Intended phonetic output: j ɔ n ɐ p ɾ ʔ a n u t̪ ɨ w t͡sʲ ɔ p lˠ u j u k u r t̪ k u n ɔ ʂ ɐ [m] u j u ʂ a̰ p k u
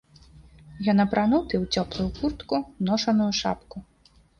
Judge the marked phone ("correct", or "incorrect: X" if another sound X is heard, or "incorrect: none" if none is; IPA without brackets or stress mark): incorrect: n